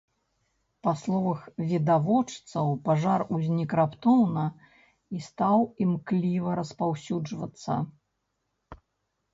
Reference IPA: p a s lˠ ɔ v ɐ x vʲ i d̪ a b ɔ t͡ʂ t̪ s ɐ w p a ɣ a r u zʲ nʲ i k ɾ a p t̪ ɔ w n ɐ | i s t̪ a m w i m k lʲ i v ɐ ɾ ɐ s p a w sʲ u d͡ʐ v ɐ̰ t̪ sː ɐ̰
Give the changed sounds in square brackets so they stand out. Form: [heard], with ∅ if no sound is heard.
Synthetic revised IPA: p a s lˠ ɔ v ɐ x vʲ i d̪ a [v] ɔ t͡ʂ t̪ s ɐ w p a [ʐ] a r u zʲ nʲ i k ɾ a p t̪ ɔ w n ɐ | i s t̪ a [∅] w i m k lʲ i v ɐ ɾ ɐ s p a w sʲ u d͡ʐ v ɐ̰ t̪ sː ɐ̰